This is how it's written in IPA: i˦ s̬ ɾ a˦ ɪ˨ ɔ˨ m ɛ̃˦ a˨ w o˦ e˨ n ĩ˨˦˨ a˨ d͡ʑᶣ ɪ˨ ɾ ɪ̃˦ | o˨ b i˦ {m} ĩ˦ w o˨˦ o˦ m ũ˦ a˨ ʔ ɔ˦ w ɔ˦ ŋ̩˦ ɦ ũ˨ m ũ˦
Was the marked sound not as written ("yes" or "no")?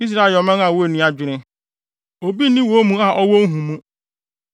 yes